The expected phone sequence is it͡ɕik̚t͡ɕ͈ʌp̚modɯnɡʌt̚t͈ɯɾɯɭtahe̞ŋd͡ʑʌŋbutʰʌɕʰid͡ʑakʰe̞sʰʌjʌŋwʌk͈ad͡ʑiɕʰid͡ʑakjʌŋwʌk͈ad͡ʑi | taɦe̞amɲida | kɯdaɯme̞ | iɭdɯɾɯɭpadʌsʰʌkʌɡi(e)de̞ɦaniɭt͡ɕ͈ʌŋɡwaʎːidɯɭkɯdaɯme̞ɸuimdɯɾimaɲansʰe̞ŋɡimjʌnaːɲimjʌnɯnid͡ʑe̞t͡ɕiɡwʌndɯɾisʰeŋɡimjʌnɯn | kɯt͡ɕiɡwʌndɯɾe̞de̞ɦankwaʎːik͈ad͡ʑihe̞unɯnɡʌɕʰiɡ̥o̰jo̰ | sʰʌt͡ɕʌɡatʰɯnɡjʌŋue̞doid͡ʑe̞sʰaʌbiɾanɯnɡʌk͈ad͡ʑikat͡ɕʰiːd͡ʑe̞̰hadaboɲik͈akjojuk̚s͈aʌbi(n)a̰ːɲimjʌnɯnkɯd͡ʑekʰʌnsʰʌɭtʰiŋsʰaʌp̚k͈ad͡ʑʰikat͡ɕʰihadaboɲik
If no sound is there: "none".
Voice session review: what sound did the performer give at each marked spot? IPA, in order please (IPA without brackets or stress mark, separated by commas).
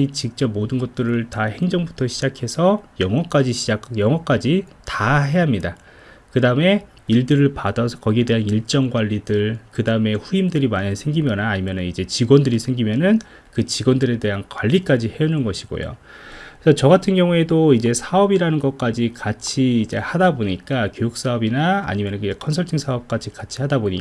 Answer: e, n